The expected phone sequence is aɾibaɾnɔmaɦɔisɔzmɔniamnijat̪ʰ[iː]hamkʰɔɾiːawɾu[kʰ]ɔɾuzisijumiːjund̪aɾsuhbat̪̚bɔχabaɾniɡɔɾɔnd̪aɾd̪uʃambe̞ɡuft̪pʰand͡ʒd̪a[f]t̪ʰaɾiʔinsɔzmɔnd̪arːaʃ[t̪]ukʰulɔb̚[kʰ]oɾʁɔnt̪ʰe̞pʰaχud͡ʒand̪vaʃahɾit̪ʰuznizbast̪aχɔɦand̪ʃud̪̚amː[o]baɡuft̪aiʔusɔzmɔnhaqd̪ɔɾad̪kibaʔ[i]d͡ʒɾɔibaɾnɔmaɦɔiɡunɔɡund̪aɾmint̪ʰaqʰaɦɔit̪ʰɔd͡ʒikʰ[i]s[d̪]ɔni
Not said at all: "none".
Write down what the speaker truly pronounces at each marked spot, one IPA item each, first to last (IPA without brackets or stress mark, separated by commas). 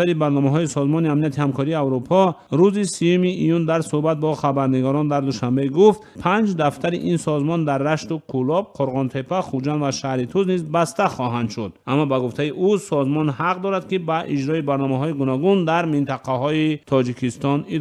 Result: i, pʰ, f, t̪, qʰ, ɔ, i, i, t̪